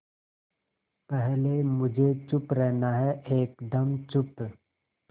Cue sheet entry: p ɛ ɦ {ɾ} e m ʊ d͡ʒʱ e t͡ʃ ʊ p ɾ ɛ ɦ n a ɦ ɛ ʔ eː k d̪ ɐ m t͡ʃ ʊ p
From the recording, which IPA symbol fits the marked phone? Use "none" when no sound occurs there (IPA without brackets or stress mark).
l